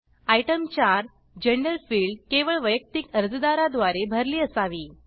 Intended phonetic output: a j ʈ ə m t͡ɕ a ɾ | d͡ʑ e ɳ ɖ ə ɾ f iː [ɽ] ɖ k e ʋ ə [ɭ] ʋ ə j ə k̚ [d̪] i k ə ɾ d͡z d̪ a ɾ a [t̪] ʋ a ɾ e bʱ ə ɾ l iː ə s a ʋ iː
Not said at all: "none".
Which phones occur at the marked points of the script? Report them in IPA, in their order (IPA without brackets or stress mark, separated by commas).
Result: ɭ, ɭ, t̪, d̪